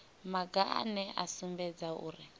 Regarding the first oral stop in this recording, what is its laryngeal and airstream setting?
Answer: plain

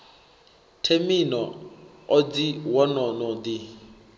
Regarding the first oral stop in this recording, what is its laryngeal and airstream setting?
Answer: aspirated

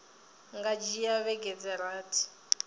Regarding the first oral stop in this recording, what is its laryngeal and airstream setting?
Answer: plain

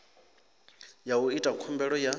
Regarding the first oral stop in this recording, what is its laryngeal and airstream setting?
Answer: ejective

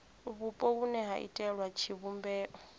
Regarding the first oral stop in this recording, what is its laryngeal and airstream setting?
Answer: ejective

